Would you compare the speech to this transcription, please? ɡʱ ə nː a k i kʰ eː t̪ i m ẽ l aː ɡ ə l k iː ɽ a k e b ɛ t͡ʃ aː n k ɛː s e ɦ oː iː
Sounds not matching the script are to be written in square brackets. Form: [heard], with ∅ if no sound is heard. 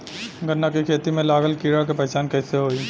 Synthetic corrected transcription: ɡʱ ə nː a k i kʰ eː t̪ i m ẽ l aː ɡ ə l k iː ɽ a k e [p] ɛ t͡ʃ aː n k ɛː s e ɦ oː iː